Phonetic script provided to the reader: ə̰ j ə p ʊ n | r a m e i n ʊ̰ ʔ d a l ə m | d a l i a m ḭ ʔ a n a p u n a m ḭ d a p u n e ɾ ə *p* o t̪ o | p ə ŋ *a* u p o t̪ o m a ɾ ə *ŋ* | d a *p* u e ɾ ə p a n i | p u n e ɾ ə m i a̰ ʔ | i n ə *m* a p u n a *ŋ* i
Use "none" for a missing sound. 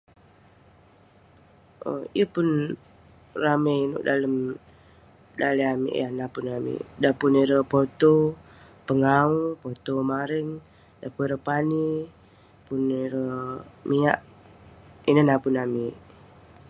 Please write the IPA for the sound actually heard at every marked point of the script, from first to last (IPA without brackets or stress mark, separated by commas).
p, a, ŋ, p, n, m